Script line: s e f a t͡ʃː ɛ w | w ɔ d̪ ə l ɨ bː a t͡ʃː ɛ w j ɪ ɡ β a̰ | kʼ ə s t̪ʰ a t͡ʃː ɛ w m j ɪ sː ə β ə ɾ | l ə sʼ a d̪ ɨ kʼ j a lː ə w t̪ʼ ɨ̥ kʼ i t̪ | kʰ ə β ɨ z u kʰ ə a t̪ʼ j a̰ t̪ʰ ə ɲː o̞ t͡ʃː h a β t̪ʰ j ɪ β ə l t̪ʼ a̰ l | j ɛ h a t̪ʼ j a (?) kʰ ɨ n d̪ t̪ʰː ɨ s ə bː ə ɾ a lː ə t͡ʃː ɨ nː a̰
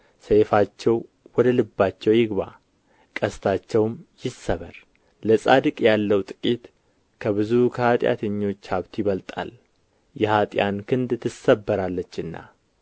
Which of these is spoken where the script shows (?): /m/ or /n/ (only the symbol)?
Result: n